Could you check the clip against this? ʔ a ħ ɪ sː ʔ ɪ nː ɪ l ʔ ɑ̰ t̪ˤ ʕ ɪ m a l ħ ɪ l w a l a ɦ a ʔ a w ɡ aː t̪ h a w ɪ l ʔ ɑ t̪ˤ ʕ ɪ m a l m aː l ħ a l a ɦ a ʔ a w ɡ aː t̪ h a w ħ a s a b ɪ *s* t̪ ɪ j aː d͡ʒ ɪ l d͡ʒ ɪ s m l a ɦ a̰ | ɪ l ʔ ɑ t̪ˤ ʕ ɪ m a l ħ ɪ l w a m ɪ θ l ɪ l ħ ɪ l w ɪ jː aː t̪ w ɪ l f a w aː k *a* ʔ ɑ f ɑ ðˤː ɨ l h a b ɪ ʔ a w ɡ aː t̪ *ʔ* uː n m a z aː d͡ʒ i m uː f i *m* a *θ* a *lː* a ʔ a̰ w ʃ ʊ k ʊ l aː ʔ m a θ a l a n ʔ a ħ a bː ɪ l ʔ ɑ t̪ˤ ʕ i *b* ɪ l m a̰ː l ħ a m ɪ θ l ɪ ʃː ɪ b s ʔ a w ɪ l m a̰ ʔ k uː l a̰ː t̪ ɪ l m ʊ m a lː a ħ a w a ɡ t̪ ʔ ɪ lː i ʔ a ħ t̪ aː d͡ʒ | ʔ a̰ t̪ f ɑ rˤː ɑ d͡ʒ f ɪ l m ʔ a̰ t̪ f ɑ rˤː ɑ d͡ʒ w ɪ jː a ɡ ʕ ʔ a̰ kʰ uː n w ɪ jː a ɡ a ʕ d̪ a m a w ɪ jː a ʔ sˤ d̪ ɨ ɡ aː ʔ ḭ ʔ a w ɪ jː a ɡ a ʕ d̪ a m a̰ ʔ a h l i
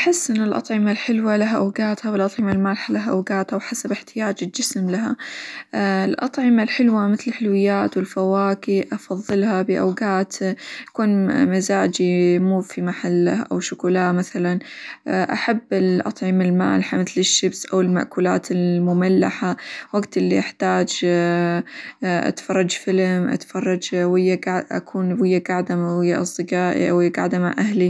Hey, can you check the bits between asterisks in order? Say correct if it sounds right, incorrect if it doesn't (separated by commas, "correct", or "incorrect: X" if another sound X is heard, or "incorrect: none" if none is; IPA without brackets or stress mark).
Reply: incorrect: ħ, incorrect: i, incorrect: k, correct, incorrect: ħ, correct, incorrect: m